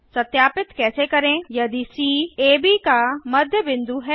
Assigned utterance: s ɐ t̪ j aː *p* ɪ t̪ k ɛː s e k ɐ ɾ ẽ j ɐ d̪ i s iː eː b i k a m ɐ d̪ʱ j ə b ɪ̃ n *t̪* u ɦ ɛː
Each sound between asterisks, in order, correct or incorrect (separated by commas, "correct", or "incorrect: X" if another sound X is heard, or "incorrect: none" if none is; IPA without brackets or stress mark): correct, incorrect: d̪